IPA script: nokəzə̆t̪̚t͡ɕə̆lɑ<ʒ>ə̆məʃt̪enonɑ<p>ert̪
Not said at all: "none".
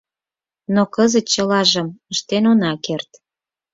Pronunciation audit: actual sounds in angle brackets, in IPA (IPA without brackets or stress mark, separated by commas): ʒ, k